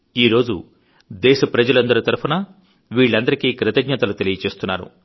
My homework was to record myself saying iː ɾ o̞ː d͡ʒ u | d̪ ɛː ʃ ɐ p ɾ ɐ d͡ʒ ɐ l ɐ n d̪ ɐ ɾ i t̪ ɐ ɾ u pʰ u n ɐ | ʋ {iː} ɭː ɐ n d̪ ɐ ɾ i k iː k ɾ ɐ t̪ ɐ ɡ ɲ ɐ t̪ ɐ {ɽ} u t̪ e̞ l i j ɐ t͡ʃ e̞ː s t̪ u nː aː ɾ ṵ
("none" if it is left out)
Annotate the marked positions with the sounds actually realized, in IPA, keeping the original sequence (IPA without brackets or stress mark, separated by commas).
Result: iː, l